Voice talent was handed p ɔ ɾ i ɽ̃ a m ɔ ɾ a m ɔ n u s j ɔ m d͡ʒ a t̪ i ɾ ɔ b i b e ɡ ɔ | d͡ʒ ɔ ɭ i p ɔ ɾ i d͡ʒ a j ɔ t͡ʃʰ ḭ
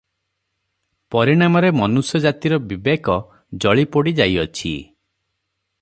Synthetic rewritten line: p ɔ ɾ i ɽ̃ a m ɔ ɾ e m ɔ n u s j ɔ d͡ʒ a t̪ i ɾ ɔ b i b e k ɔ | d͡ʒ ɔ ɭ i p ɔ ɽ i d͡ʒ a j ɔ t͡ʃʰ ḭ